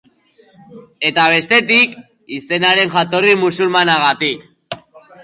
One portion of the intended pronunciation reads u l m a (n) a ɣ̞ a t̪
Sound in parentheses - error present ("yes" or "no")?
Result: no